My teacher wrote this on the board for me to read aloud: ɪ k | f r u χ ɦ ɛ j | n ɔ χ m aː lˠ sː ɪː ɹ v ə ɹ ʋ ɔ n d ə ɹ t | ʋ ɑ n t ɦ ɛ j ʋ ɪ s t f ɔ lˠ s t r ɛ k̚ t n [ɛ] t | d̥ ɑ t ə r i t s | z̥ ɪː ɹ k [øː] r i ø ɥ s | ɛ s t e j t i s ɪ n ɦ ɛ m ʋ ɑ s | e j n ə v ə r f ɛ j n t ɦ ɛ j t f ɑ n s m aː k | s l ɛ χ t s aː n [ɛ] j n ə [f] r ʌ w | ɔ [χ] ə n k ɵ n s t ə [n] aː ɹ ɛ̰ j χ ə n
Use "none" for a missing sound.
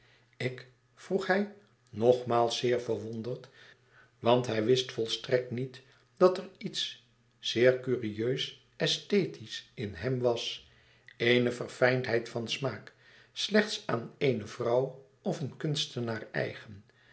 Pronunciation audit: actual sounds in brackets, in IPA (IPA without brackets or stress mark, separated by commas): i, yː, e, v, f, n